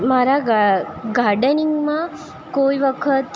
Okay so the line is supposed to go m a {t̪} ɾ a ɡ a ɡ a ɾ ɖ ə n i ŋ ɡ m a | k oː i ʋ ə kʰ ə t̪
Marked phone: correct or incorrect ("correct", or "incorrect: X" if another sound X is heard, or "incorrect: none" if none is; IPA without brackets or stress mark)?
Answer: incorrect: none